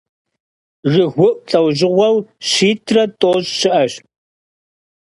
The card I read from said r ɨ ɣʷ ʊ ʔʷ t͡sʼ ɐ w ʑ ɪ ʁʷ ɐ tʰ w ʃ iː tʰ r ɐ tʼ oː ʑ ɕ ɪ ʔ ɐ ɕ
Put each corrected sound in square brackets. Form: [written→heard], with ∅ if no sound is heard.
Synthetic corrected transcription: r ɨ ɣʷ ʊ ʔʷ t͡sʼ ɐ w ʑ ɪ ʁʷ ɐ [tʰ→∅] w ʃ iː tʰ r ɐ tʼ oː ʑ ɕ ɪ ʔ ɐ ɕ